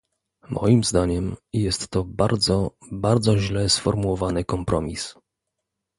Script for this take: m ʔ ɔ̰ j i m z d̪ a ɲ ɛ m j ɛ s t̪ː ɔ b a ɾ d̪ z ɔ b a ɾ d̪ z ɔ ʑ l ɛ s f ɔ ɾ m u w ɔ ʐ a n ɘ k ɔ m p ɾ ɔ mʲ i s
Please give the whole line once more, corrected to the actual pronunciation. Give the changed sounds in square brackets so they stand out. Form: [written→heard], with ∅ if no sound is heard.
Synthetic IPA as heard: m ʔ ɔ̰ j i m z d̪ a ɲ ɛ m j ɛ s t̪ː ɔ b a ɾ d̪ z ɔ b a ɾ d̪ z ɔ ʑ l ɛ s f ɔ ɾ m u w ɔ [ʐ→v] a n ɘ k ɔ m p ɾ ɔ mʲ i s